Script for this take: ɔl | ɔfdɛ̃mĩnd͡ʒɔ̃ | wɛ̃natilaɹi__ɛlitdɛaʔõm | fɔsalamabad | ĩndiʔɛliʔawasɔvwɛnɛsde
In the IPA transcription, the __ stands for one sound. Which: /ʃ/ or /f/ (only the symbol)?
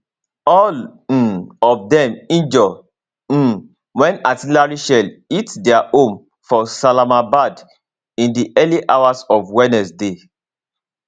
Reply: ʃ